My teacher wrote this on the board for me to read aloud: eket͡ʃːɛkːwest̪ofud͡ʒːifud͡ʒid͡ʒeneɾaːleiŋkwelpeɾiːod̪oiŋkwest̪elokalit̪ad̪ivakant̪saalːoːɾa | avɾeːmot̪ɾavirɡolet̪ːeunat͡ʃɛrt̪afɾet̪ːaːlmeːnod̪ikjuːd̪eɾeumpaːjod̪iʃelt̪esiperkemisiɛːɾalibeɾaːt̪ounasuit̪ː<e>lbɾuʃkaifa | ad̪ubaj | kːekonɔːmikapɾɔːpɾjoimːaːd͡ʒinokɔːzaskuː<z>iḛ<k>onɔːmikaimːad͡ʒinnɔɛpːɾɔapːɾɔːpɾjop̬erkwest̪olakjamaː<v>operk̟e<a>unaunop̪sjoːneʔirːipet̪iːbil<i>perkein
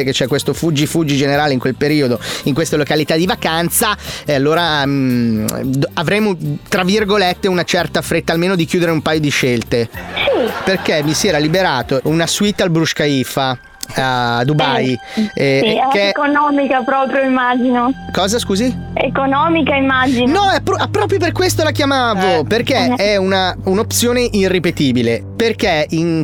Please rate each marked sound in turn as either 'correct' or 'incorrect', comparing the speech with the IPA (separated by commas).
incorrect, correct, correct, correct, incorrect, incorrect